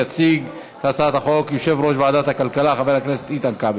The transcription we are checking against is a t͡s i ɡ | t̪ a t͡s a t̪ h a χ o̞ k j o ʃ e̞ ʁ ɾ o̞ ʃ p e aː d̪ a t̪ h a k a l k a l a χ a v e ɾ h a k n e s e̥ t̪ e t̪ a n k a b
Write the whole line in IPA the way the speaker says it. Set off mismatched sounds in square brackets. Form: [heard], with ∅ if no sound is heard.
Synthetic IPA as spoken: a t͡s i ɡ | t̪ a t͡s a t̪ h a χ o̞ k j o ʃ e̞ [v] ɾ o̞ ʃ [b] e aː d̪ a t̪ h a k a l k a l a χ a v e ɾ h a k n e s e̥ t̪ [i] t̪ a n k a b